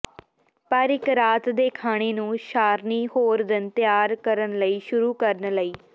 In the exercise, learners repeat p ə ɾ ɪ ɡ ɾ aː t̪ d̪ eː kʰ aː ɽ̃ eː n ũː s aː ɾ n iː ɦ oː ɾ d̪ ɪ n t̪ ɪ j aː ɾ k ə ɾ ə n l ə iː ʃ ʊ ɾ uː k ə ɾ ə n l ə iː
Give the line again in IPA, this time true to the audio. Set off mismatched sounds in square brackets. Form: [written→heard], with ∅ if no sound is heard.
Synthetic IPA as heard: p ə ɾ ɪ [ɡ→k] ɾ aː t̪ d̪ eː kʰ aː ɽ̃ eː n ũː [s→ʃ] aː ɾ n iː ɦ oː ɾ d̪ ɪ n t̪ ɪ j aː ɾ k ə ɾ ə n l ə iː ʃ ʊ ɾ uː k ə ɾ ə n l ə iː

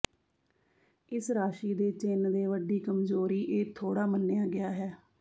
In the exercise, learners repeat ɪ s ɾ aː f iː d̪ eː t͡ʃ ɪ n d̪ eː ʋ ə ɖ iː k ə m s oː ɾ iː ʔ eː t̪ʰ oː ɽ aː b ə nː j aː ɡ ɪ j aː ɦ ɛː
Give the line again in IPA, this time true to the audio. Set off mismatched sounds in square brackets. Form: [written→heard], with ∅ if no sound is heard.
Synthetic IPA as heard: ɪ s ɾ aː [f→ʃ] iː d̪ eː t͡ʃ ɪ n d̪ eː ʋ ə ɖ iː k ə m [s→z] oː ɾ iː ʔ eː t̪ʰ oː ɽ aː [b→m] ə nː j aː ɡ ɪ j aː ɦ ɛː

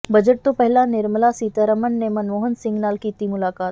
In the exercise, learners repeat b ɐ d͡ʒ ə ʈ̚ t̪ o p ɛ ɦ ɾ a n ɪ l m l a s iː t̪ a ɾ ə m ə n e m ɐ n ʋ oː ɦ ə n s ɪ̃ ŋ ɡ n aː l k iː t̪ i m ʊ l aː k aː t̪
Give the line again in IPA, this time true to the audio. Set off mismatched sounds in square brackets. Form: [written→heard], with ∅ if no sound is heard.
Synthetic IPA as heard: b ɐ d͡ʒ ə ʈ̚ t̪ o p ɛ ɦ [ɾ→l] a n ɪ [l→ɾ] m l a s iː t̪ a ɾ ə m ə [n→nː] e m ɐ n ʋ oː ɦ ə n s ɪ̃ ŋ ɡ n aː l k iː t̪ i m ʊ l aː k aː t̪

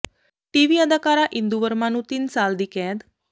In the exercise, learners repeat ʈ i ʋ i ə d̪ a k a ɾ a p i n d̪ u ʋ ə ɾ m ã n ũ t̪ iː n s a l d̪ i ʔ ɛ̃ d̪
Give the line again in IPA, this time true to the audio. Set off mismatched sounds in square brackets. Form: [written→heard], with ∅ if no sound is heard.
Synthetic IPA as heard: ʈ i ʋ i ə d̪ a k a ɾ a [p→ʔ] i n d̪ u ʋ ə ɾ m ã n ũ t̪ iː n s a l d̪ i [ʔ→k] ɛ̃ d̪

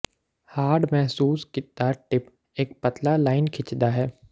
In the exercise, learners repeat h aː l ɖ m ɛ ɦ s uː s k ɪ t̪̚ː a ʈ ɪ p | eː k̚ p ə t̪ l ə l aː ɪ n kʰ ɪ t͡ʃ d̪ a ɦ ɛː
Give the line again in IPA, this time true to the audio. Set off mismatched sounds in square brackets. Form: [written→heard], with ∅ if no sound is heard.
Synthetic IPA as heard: h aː [l→ɾ] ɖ m ɛ ɦ s uː s k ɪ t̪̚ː a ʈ ɪ p | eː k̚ p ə t̪ l [ə→a] l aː ɪ n kʰ ɪ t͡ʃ d̪ a ɦ ɛː

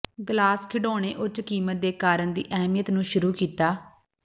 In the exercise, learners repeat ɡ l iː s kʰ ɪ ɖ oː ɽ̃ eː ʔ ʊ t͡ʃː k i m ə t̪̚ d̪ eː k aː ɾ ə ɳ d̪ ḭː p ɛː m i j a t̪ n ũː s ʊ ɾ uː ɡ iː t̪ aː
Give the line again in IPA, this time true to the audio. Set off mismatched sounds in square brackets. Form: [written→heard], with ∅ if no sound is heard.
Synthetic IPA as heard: ɡ l [iː→aː] s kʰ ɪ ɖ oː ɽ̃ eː ʔ ʊ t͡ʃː k [i→iː] m ə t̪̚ d̪ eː k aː ɾ ə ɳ d̪ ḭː [p→ʔ] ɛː m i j [a→ə] t̪ n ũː [s→ʃ] ʊ ɾ uː [ɡ→k] iː t̪ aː

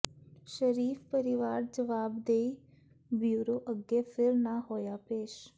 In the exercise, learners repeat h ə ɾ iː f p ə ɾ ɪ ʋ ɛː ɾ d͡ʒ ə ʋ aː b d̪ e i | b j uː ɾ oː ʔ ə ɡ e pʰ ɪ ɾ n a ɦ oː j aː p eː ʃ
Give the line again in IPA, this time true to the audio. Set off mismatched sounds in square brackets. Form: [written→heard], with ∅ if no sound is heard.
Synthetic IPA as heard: [h→ʃ] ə ɾ iː f p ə ɾ ɪ ʋ [ɛː→aː] ɾ d͡ʒ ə ʋ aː b d̪ e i | b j uː ɾ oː ʔ ə ɡ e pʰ ɪ ɾ n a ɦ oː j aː p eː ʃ

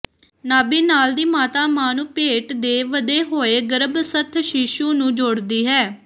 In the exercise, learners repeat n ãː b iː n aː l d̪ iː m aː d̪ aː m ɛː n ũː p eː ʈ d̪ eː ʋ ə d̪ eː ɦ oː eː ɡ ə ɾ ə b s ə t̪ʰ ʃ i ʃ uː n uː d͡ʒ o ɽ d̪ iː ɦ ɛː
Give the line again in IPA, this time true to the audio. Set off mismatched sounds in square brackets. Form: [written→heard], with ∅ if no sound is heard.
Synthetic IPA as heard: n [ãː→aː] b iː n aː l d̪ iː m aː [d̪→t̪] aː m [ɛː→aː] n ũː p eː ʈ d̪ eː ʋ ə d̪ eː ɦ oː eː ɡ ə ɾ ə b s ə t̪ʰ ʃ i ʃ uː n [uː→ũː] d͡ʒ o ɽ d̪ iː ɦ ɛː

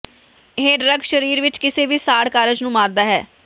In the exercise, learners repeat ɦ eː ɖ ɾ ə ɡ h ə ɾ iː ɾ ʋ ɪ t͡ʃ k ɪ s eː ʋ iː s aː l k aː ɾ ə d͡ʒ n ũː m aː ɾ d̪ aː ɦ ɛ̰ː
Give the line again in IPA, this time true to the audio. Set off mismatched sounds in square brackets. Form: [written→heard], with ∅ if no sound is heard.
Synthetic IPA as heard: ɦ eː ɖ ɾ ə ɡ [h→ʃ] ə ɾ iː ɾ ʋ ɪ t͡ʃ k ɪ s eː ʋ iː s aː [l→ɽ] k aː ɾ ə d͡ʒ n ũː m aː ɾ d̪ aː ɦ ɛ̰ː

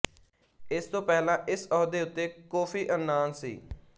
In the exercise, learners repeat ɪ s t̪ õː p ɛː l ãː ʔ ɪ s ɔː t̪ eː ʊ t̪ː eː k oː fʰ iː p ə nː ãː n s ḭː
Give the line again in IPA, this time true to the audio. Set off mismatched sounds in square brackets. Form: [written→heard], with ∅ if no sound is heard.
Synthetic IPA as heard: ɪ s t̪ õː p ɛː l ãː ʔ ɪ s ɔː [t̪→d̪] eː ʊ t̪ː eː k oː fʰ iː [p→ʔ] ə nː [ãː→aː] n s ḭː

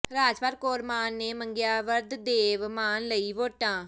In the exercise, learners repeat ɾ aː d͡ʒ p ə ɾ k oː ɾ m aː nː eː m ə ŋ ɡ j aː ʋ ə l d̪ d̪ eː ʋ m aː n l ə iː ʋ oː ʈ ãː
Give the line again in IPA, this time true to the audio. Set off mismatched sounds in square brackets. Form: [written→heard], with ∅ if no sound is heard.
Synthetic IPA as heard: ɾ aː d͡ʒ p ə ɾ k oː ɾ m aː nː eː m ə ŋ ɡ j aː ʋ ə [l→ɾ] d̪ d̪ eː ʋ m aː n l ə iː ʋ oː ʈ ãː

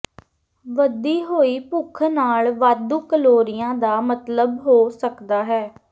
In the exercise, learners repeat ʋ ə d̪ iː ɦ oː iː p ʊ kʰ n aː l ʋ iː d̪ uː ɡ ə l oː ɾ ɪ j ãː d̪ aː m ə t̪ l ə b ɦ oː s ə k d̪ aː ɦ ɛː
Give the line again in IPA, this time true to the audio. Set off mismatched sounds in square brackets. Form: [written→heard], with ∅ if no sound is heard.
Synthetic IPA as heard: ʋ ə d̪ iː ɦ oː iː p ʊ kʰ n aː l ʋ [iː→aː] d̪ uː [ɡ→k] ə l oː ɾ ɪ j ãː d̪ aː m ə t̪ l ə b ɦ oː s ə k d̪ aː ɦ ɛː

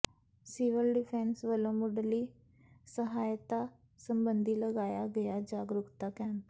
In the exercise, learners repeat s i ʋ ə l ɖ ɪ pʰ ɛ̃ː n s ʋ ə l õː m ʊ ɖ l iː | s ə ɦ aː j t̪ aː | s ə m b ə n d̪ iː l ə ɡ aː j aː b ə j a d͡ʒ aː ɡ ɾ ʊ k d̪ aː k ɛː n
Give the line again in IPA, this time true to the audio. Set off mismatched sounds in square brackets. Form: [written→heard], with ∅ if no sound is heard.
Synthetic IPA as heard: s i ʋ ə l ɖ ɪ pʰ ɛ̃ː n s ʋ ə l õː m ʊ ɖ l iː | s ə ɦ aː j t̪ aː | s ə m b ə n d̪ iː l ə ɡ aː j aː [b→ɡ] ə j a d͡ʒ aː ɡ ɾ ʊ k [d̪→t̪] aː k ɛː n

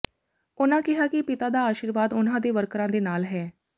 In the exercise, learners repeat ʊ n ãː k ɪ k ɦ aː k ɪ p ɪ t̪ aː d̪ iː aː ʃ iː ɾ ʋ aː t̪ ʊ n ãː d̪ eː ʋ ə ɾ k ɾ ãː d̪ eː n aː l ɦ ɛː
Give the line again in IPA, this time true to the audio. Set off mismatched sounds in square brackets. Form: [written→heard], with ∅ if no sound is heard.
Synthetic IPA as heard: ʊ n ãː k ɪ [k→∅] ɦ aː k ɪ p ɪ t̪ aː d̪ [iː→aː] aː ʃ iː ɾ ʋ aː [t̪→d̪] ʊ n ãː d̪ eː ʋ ə ɾ k ɾ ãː d̪ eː n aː l ɦ ɛː

